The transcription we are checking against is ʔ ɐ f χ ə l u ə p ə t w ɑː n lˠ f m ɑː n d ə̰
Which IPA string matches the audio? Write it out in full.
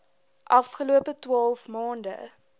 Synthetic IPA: ʔ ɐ f χ ə l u ə p ə t w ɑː lˠ f m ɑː n d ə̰

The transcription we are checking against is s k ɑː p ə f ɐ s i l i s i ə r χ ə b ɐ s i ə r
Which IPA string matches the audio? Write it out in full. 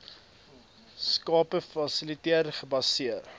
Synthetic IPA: s k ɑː p ə f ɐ s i l i t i ə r χ ə b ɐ s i ə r

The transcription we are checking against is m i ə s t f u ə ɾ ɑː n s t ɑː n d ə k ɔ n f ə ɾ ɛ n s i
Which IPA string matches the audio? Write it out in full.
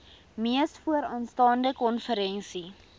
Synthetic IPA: m i ə s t f u ə ɾ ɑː n s t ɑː n d ə k ɔ n f ə ɾ ɛ n s i

